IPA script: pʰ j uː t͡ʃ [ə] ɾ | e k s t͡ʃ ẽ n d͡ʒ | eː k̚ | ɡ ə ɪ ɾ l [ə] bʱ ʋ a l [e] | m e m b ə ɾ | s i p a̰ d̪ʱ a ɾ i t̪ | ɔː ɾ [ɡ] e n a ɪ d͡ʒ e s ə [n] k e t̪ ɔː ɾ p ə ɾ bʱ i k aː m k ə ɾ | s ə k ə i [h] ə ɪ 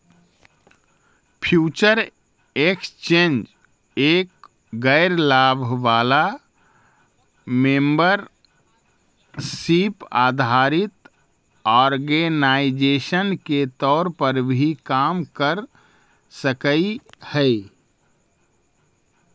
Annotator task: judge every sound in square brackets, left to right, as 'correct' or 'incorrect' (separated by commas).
correct, incorrect, incorrect, correct, correct, correct